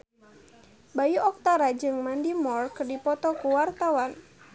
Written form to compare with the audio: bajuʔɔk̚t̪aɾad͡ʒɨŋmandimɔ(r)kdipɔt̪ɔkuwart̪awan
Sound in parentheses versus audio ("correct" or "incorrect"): correct